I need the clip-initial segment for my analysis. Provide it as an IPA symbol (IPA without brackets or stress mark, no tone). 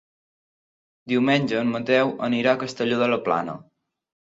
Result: d̪